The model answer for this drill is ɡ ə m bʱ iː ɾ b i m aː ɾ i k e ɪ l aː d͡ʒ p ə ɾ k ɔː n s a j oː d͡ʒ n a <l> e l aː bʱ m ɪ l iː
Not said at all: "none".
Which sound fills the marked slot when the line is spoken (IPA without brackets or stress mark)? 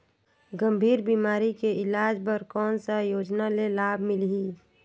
l